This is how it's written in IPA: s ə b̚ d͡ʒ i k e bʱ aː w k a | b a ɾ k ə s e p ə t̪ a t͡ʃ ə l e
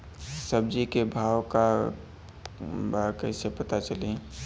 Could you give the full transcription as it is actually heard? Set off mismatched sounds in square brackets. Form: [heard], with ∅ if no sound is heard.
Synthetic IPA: s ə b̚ d͡ʒ i k e bʱ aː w k a | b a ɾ k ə s e p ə t̪ a t͡ʃ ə l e